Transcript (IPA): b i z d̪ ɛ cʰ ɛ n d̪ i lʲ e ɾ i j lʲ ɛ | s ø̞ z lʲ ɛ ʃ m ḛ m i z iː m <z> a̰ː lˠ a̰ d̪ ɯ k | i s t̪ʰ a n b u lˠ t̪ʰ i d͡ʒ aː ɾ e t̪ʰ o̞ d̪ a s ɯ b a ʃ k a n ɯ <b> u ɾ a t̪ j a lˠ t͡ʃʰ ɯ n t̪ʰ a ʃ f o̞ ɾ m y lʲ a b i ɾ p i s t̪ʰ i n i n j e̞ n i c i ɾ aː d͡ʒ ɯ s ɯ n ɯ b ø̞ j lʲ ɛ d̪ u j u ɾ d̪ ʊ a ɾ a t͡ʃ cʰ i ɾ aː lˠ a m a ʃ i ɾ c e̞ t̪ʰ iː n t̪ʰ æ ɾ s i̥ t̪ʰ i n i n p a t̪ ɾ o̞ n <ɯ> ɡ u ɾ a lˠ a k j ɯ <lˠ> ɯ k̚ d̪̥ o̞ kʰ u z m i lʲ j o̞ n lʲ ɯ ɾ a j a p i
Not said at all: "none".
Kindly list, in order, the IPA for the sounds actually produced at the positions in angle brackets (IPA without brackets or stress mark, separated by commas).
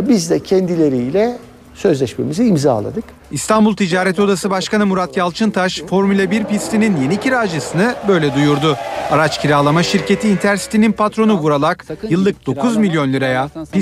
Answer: z, m, u, lˠː